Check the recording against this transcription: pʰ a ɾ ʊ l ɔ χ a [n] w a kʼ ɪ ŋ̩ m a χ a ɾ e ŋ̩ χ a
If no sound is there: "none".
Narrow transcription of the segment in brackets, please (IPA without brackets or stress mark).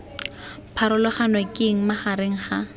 n